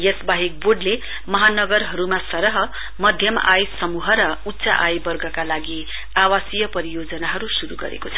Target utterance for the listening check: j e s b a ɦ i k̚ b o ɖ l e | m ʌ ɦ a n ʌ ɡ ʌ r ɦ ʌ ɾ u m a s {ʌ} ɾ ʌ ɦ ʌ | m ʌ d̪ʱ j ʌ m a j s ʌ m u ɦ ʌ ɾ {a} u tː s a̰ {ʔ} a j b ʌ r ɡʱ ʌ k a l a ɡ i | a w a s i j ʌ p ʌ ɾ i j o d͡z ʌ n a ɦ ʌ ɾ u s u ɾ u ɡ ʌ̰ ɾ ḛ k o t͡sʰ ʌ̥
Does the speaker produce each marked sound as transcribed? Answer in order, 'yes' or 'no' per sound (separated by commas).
yes, no, yes